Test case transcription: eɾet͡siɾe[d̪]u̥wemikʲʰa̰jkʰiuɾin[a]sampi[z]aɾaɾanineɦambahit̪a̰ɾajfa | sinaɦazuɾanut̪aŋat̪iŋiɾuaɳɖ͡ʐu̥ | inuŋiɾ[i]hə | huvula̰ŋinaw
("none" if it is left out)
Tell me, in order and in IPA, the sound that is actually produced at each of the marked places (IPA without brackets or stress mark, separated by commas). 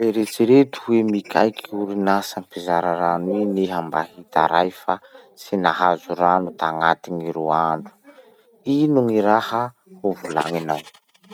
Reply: t̪, a, z, a